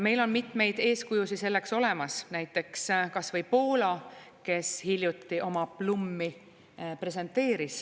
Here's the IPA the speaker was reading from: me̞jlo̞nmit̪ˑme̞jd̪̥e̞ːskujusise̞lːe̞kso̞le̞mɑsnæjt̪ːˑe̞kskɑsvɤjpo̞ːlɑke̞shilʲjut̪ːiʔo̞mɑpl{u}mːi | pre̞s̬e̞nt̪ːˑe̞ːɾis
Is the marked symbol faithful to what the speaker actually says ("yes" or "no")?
yes